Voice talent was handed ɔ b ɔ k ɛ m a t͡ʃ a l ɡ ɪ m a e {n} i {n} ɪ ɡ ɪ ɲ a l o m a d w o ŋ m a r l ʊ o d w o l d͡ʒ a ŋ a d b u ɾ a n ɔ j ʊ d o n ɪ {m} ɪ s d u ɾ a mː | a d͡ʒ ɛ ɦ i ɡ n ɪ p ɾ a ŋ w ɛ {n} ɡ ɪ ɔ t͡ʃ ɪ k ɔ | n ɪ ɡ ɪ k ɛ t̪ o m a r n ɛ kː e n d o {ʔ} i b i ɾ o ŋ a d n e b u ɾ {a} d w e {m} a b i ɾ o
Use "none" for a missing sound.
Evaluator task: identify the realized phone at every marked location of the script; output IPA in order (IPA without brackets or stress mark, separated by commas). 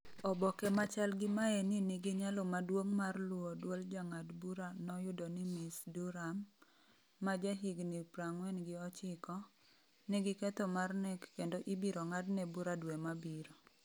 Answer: n, n, m, n, ʔ, a, m